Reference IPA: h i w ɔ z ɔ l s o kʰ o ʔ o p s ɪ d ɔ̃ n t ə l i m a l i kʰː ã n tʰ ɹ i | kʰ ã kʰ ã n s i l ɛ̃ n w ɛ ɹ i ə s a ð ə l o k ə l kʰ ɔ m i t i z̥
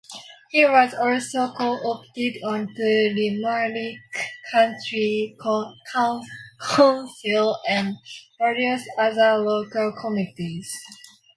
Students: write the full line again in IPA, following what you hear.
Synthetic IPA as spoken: h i w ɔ z ɔ l s o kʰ o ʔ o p t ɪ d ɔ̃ n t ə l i m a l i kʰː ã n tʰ ɹ i | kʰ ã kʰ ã n s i l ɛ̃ n v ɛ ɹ i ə s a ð ə l o k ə l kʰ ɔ m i t i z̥